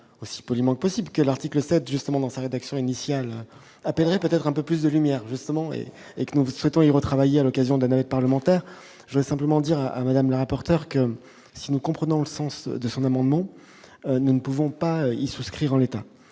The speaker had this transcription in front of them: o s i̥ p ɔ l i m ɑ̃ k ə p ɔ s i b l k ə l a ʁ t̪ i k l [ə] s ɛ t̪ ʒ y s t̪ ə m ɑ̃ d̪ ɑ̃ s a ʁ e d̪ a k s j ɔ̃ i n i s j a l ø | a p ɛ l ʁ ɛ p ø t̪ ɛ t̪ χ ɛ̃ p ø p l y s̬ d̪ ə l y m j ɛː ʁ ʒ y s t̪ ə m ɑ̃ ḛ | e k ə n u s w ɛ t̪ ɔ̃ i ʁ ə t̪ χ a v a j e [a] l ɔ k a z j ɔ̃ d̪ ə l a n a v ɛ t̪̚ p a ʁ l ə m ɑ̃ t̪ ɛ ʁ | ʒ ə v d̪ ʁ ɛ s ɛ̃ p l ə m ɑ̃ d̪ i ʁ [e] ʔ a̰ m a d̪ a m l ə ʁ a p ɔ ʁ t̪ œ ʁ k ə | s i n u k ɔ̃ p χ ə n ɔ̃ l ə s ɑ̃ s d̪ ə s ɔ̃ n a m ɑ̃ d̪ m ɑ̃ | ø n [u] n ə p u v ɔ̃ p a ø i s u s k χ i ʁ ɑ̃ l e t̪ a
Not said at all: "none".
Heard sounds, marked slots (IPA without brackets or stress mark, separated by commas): ə, a, a, u